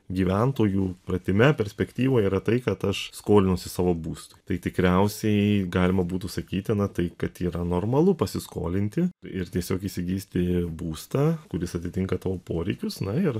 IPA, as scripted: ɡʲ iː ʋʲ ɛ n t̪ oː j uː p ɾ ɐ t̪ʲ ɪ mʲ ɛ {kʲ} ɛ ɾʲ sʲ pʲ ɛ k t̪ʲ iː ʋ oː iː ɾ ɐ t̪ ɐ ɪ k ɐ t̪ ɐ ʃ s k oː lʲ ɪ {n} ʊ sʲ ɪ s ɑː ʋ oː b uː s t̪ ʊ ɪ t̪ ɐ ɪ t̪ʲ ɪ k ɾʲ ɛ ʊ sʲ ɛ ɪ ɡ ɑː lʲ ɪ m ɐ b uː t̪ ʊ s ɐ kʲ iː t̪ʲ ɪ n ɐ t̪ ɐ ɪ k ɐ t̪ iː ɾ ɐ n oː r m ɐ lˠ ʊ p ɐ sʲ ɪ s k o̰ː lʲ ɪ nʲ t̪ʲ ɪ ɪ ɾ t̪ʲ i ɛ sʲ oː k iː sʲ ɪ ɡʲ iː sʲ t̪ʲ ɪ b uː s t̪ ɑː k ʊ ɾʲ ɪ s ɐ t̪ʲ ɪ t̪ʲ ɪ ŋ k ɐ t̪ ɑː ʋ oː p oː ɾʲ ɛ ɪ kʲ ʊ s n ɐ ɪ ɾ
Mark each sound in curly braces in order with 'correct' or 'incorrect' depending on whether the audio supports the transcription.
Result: incorrect, correct

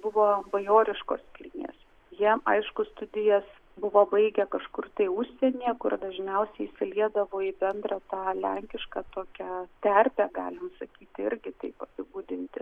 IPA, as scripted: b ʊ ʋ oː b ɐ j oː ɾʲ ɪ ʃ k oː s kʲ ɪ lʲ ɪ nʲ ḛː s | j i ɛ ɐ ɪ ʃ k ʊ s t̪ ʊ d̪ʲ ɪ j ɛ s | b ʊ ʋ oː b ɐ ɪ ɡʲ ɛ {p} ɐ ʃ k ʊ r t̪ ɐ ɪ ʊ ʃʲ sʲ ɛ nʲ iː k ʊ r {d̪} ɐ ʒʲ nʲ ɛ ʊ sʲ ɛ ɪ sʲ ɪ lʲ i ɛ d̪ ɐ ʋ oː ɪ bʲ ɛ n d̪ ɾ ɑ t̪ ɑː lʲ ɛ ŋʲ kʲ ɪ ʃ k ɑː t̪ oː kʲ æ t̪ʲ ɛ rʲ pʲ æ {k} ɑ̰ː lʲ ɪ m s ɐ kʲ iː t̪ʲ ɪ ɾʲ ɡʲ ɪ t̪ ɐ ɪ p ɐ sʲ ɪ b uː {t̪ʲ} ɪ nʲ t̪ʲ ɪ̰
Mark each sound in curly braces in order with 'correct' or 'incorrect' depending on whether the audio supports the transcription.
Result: incorrect, correct, incorrect, incorrect

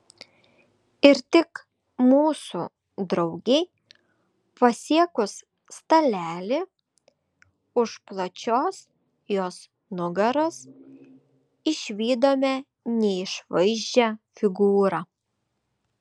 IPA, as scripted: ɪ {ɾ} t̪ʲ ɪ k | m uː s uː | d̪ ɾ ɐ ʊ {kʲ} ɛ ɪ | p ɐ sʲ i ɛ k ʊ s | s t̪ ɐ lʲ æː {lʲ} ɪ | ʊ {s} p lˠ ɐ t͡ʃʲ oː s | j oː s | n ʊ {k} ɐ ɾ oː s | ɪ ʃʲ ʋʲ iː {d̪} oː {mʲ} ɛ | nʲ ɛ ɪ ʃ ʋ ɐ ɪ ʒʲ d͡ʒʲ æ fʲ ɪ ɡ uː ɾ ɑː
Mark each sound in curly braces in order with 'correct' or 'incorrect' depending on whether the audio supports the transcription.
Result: correct, incorrect, correct, incorrect, incorrect, correct, correct

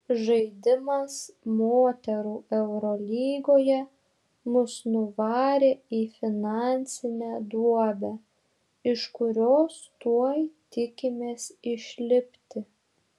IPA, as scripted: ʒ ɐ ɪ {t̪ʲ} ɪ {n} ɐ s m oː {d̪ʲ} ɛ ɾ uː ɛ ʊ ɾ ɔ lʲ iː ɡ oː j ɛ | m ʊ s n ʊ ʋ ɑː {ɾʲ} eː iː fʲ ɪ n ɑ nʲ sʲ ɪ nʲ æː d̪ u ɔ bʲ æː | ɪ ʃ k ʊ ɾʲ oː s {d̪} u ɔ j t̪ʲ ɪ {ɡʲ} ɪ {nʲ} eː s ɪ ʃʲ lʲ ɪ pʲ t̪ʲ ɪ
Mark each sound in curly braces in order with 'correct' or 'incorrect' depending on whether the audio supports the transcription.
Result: incorrect, incorrect, incorrect, correct, incorrect, incorrect, incorrect

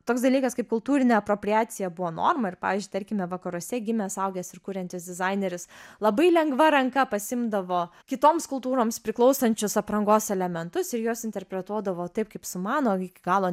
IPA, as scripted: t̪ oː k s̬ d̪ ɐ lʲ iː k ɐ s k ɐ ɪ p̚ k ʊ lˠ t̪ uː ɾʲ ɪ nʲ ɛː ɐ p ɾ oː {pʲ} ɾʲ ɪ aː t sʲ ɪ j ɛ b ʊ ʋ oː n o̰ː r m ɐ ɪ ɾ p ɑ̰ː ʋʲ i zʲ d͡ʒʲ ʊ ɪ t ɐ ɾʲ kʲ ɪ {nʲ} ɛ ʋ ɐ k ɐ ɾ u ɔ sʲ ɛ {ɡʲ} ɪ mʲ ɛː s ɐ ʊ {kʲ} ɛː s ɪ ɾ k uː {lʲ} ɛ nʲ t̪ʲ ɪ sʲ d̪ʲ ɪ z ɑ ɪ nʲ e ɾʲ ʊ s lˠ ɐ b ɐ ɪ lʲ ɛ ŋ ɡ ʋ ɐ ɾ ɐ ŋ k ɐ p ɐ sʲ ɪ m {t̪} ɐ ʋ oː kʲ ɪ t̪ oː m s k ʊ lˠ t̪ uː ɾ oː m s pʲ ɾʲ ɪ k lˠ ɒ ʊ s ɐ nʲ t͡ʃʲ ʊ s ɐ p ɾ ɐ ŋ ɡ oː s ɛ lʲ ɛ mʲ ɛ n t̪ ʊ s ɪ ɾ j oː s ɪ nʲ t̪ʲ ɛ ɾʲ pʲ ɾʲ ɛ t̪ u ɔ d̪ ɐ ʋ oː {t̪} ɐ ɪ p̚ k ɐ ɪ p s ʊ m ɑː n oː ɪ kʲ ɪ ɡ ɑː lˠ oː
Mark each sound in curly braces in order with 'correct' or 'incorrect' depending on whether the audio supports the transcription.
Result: correct, incorrect, correct, incorrect, incorrect, incorrect, correct

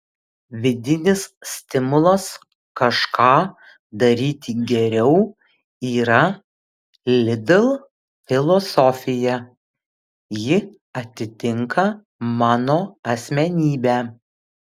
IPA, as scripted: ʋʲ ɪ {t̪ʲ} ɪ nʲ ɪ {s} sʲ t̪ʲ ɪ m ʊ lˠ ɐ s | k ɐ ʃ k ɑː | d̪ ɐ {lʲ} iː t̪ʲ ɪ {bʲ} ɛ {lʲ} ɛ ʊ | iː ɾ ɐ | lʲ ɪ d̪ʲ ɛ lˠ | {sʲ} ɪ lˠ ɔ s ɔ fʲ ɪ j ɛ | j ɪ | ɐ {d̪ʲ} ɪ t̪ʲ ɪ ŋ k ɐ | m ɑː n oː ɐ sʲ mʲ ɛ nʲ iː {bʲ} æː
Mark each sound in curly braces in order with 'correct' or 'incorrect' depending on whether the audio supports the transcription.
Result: incorrect, correct, incorrect, incorrect, incorrect, incorrect, incorrect, correct

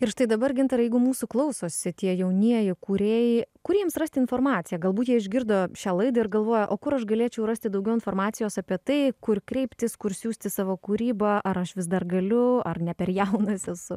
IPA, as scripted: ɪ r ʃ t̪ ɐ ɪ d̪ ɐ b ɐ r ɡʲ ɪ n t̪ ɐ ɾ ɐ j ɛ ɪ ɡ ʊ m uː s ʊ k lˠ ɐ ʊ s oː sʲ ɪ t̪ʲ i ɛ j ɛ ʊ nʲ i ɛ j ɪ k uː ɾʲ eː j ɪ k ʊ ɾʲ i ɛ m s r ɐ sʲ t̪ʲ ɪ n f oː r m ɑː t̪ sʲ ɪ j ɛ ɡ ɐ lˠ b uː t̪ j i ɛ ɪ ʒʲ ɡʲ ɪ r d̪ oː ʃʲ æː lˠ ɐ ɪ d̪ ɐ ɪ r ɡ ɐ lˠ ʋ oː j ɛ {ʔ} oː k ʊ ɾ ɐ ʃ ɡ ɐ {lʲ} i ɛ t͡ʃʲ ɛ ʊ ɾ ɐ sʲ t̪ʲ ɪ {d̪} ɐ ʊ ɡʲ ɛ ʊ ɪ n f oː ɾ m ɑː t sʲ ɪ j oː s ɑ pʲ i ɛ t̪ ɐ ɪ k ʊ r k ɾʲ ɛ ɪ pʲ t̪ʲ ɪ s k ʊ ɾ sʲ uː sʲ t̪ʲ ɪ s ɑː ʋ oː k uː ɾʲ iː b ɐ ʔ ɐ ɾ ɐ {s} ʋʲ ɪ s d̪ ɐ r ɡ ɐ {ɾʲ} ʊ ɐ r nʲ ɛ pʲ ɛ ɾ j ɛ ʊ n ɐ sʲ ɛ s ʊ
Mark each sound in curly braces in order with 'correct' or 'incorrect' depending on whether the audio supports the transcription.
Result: correct, correct, correct, incorrect, incorrect

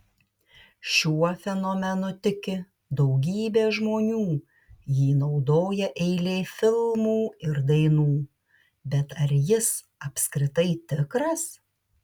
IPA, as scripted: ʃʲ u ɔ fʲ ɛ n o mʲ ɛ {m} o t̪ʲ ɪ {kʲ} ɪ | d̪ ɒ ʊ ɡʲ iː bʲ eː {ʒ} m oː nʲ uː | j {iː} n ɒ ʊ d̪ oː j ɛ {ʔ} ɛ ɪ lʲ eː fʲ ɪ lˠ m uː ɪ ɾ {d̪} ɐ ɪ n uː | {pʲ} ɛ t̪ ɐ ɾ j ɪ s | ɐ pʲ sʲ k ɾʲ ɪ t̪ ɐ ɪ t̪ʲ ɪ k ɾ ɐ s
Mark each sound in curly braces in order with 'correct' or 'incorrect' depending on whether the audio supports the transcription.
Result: incorrect, correct, correct, correct, correct, correct, incorrect

